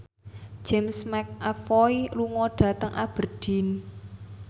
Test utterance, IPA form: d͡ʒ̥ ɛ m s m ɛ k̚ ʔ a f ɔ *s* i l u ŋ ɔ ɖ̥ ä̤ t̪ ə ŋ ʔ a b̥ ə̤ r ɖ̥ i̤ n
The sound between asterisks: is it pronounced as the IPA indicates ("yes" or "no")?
no